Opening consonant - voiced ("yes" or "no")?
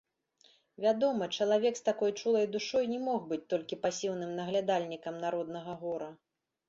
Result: yes